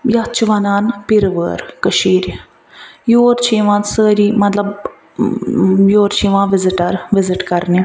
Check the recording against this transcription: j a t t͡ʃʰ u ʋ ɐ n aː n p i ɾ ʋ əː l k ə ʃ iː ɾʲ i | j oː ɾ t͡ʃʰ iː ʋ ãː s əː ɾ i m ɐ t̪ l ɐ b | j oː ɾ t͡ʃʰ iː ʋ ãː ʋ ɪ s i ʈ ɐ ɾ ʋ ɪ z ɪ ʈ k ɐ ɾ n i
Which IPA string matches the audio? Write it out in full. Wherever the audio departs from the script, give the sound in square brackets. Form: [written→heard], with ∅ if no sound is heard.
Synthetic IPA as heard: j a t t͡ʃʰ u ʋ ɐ n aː n p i ɾ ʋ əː [l→ɾ] k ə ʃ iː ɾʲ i | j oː ɾ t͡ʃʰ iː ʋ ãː s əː ɾ i m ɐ t̪ l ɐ b | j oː ɾ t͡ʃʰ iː ʋ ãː ʋ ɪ [s→z] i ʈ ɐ ɾ ʋ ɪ z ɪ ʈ k ɐ ɾ n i